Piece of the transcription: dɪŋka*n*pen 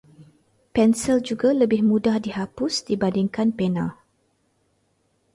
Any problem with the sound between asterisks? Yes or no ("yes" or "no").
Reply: no